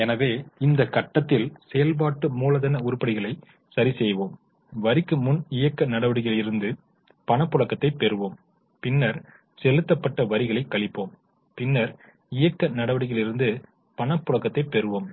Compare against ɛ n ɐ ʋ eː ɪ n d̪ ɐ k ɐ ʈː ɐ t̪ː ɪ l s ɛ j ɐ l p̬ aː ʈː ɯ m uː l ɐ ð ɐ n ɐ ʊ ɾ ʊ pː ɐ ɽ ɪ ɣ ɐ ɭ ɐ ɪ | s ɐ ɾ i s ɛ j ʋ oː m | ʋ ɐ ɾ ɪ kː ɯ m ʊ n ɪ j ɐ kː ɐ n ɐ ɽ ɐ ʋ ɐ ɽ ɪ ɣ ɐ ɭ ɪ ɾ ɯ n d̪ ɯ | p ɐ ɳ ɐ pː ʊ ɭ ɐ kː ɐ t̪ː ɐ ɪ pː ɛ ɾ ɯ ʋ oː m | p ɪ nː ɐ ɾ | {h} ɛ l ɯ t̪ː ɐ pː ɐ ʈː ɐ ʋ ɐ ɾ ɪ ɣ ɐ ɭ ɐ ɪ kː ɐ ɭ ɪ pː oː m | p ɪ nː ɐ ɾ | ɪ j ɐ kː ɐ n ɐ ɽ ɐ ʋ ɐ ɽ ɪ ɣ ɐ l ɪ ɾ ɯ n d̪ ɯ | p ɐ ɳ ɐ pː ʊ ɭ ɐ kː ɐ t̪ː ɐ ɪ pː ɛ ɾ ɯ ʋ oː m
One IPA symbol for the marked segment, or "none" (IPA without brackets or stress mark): s